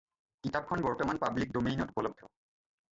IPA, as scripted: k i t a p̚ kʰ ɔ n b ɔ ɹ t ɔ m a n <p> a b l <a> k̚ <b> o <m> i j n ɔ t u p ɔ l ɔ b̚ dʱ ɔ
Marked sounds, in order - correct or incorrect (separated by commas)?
correct, incorrect, incorrect, correct